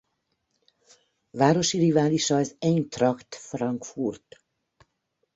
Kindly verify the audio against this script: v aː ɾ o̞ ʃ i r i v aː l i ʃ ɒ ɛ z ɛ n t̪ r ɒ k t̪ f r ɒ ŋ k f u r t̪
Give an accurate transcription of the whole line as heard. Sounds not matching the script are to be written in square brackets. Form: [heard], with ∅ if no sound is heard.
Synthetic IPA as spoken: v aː ɾ o̞ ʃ i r i v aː l i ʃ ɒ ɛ z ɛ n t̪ r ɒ k t̪ f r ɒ ŋ k f u r t̪